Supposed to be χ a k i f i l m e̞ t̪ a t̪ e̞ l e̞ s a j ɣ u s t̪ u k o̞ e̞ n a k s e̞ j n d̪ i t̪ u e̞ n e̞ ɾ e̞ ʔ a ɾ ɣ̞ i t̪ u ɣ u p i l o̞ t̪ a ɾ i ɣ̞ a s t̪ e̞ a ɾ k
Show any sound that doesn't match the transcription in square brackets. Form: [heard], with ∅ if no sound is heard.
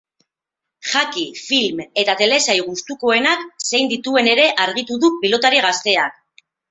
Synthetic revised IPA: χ a k i f i l m e̞ t̪ a t̪ e̞ l e̞ s a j ɣ u s t̪ u k o̞ e̞ n a k s e̞ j n d̪ i t̪ u e̞ n e̞ ɾ e̞ ʔ a ɾ ɣ̞ i t̪ u [ð] u p i l o̞ t̪ a ɾ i ɣ̞ a s t̪ e̞ a [∅] k